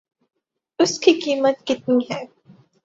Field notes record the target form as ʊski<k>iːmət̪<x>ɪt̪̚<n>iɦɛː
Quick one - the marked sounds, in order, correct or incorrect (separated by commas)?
correct, incorrect, correct